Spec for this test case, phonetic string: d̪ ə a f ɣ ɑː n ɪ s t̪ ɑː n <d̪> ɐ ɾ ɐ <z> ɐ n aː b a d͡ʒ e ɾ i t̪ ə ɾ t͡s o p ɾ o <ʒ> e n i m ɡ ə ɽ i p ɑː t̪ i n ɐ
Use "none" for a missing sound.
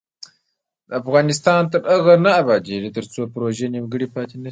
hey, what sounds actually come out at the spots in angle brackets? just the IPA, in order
t̪, ɣ, ʒ

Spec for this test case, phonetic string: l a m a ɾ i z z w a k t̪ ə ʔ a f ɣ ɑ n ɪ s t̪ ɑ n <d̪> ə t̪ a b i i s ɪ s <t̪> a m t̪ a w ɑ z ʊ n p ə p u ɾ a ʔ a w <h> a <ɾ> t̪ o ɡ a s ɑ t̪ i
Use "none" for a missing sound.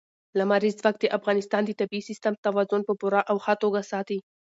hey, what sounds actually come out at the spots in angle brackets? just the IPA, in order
d̪, t̪, x, none

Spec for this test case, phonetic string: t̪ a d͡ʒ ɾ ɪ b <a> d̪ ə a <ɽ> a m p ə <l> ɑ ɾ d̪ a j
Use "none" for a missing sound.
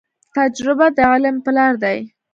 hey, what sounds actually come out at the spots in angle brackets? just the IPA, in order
a, l, l

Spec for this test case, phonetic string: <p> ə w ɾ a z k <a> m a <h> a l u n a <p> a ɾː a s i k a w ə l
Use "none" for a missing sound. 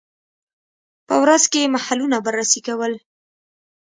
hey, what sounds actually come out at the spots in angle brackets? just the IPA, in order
p, e, h, b

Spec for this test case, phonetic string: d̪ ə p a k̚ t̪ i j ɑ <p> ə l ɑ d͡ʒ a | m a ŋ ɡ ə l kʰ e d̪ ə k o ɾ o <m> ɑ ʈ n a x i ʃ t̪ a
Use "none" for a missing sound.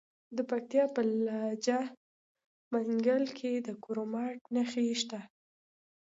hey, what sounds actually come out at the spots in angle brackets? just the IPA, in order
p, m

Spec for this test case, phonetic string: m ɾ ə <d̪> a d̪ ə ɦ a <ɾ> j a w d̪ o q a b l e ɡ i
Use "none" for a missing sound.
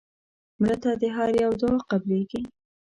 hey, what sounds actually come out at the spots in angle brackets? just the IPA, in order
t̪, ɾ

